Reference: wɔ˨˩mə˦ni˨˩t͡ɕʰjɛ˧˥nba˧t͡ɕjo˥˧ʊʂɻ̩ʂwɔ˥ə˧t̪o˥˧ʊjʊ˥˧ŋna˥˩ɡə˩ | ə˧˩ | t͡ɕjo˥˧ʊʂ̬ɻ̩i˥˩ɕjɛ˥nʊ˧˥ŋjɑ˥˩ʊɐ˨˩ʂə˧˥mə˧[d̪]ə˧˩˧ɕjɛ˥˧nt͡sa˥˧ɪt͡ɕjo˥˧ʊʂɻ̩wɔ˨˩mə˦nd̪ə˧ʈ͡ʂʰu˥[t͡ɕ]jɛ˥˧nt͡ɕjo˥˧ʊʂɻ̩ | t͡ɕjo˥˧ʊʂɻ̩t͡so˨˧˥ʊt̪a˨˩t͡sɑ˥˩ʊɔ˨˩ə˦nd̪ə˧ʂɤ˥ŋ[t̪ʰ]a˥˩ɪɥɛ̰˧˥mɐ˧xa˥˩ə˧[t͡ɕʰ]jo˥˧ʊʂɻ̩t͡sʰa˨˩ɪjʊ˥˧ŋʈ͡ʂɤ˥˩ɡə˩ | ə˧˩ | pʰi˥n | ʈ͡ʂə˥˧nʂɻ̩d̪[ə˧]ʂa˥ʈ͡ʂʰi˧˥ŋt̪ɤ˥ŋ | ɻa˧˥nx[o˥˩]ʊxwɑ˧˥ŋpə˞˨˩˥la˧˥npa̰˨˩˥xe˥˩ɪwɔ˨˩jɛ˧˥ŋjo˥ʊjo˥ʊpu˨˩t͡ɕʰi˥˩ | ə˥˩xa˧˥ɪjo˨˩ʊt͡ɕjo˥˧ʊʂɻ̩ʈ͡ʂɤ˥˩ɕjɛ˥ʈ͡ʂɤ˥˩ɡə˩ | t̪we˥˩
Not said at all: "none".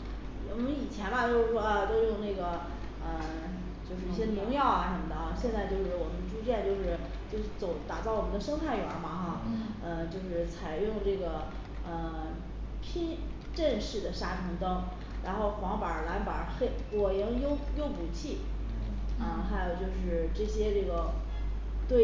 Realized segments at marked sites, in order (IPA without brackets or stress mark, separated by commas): d̪, t͡ɕ, t̪ʰ, t͡ɕ, ə˩, o˥˩